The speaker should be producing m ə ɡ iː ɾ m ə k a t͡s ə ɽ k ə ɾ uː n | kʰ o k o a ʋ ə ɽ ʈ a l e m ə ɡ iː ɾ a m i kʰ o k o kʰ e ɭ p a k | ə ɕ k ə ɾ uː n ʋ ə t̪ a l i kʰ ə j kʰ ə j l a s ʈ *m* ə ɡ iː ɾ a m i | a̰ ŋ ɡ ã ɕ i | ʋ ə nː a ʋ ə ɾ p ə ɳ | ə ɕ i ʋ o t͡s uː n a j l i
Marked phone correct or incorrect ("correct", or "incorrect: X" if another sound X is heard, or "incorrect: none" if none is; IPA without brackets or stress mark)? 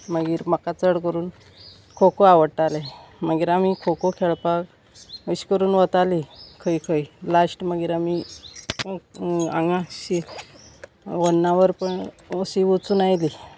correct